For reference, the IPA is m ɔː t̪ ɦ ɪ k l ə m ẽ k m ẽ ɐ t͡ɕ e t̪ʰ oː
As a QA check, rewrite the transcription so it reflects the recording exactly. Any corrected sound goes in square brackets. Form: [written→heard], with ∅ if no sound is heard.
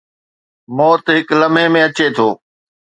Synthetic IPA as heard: m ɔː t̪ ɦ ɪ k l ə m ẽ [k→∅] m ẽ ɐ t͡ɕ e t̪ʰ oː